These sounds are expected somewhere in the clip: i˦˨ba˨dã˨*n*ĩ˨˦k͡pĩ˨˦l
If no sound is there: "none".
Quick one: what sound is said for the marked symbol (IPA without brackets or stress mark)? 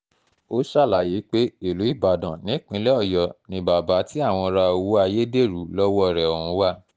n